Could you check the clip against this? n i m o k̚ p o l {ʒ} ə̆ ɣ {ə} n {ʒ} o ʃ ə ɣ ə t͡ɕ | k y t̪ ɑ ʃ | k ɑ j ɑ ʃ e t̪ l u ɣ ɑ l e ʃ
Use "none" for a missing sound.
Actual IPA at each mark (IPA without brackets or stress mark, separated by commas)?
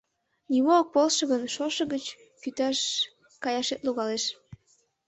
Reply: ʃ, ə, ʃ